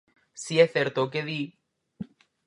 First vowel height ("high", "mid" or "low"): high